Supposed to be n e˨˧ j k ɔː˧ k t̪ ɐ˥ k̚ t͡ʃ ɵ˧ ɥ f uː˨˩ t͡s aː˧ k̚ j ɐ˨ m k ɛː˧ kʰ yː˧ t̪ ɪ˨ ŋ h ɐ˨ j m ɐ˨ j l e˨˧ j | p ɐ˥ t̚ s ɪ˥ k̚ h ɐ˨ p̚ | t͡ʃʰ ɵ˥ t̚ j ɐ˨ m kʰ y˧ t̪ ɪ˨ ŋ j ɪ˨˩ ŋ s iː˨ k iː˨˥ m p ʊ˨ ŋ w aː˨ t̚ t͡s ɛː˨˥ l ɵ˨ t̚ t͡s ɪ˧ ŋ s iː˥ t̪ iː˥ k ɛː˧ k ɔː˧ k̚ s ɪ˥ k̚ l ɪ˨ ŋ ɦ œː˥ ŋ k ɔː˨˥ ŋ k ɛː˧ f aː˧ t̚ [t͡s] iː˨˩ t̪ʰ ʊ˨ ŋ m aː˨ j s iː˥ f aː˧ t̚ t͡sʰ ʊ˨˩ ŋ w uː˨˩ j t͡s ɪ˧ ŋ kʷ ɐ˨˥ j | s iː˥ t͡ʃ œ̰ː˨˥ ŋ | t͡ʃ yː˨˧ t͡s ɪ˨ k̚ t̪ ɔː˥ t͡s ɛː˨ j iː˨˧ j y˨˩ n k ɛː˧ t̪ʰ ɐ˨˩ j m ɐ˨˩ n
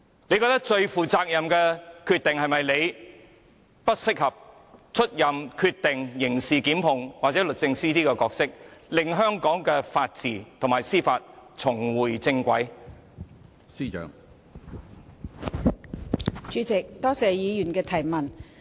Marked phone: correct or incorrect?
correct